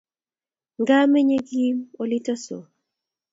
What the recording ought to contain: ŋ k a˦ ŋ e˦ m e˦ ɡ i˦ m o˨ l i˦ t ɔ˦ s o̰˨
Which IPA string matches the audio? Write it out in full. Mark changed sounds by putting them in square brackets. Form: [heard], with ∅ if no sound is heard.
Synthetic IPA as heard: ŋ [ɡ] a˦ [m] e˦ [ɲ] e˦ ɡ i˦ m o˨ l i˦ t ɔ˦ s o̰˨

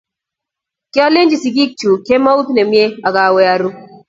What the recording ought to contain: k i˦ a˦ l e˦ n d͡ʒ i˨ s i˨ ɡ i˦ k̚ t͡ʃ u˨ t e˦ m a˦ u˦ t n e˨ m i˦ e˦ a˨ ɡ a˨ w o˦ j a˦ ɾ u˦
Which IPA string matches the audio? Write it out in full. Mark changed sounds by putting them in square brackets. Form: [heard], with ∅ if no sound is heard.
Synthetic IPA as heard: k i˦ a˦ l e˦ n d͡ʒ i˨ s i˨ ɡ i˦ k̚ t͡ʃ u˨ [k] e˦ m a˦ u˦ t n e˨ m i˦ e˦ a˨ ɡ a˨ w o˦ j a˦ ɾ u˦

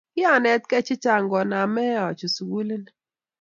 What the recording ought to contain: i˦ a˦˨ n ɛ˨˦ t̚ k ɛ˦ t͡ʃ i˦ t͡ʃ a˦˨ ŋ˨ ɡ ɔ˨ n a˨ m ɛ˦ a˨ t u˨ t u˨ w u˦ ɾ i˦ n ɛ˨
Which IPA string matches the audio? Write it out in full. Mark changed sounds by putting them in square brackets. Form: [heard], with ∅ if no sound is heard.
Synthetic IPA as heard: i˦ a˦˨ n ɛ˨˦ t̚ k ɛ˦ t͡ʃ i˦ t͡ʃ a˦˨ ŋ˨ ɡ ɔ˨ n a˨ m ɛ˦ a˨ [t͡ʃ] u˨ [s] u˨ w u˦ [l] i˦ n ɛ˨

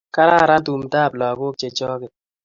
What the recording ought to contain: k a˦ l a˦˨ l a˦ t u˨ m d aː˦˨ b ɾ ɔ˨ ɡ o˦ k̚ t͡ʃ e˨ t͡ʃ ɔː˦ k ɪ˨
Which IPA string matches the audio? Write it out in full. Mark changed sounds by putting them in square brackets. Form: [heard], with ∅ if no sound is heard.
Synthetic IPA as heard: k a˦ [ɾ] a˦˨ [ɾ] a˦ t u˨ m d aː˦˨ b [l] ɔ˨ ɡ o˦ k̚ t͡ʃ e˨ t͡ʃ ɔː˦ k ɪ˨

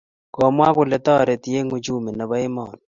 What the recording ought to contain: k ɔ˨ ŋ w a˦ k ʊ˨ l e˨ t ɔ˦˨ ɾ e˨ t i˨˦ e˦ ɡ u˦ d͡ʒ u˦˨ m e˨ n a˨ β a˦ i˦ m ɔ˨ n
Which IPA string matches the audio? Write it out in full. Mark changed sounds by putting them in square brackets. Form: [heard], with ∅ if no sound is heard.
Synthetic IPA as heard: k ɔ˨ [m] w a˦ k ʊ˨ l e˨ t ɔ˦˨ ɾ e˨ t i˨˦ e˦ [ŋ] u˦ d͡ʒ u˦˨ m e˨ n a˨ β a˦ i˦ m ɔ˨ n

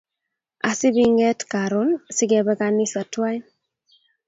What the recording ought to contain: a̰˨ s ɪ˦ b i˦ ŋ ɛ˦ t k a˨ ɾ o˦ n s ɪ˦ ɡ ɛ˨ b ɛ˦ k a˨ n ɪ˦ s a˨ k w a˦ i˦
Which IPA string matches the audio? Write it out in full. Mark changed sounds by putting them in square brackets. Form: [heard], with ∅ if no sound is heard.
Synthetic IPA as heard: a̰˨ s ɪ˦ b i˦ ŋ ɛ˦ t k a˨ ɾ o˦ n s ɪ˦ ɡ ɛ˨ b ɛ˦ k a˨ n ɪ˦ s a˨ [t] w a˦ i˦

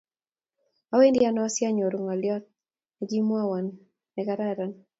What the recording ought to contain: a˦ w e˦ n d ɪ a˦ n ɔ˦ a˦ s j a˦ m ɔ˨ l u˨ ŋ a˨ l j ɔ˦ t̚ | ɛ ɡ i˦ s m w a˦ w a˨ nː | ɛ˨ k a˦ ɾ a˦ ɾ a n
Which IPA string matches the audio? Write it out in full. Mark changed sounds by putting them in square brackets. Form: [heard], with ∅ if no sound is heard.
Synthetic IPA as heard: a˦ w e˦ n d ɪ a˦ n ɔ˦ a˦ s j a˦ [ɲ] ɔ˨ [ɾ] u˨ ŋ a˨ l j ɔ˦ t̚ | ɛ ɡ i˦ [∅] m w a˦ w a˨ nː | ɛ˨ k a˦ ɾ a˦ ɾ a n

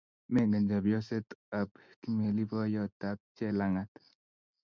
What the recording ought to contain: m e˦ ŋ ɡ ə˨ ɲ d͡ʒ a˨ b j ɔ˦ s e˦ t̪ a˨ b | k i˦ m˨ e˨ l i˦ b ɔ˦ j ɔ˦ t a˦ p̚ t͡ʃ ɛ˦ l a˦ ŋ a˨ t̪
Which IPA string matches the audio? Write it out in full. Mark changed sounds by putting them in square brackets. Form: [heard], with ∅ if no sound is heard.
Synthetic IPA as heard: m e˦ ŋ ɡ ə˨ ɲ d͡ʒ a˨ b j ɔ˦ s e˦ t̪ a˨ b | k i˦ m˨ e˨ l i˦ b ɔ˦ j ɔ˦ t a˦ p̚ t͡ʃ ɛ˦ l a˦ ŋ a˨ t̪

